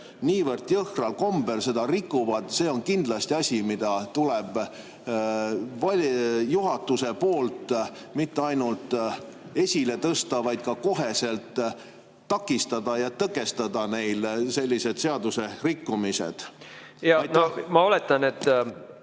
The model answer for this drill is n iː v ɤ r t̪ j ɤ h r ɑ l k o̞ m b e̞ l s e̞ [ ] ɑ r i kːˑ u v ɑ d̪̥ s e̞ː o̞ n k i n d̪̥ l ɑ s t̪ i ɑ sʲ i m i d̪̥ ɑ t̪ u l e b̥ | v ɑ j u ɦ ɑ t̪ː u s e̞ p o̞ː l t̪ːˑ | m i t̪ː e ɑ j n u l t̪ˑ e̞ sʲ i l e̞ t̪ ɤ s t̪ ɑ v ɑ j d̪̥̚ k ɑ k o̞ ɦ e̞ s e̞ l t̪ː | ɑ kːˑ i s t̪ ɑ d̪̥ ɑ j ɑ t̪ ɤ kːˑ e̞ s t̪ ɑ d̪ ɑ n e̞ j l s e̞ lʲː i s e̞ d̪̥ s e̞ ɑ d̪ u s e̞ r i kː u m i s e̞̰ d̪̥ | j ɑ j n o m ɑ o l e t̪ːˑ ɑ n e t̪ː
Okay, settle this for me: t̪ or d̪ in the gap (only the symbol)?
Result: d̪